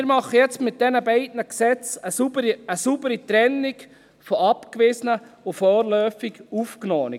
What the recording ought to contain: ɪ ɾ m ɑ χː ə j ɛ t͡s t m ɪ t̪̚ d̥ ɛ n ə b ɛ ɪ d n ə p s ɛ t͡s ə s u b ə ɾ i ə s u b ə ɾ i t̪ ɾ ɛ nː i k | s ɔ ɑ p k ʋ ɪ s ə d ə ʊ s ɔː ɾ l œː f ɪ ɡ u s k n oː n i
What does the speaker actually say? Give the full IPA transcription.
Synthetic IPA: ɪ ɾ m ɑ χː ə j ɛ t͡s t m ɪ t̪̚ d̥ ɛ n ə b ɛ ɪ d n ə k s ɛ t͡s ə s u b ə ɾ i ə s u b ə ɾ i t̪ ɾ ɛ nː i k | f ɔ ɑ p k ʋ ɪ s ə n ə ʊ f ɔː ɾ l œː f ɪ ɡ u f k n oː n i